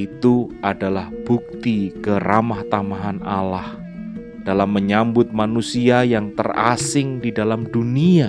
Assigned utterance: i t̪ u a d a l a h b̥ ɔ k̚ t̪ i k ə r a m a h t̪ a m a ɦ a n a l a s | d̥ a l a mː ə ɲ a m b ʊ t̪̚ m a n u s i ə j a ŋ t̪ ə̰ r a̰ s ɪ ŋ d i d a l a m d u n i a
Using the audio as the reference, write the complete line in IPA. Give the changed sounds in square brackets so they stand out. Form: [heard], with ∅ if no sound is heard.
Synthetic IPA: i t̪ u a d a l a h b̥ [u] k̚ t̪ i k ə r a m a h t̪ a m a ɦ a n a l a [h] | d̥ a l a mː ə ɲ a m b ʊ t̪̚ m a n u s i [a] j a ŋ t̪ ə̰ r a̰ s ɪ ŋ d i d a l a m d u n i a